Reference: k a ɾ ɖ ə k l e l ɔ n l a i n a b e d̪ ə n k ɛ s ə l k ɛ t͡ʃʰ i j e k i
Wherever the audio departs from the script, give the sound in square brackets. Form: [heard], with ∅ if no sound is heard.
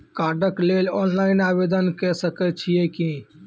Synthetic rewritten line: k a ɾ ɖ ə k l e l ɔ n l a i n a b e d̪ ə n k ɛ s ə [∅] k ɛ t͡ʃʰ i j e k i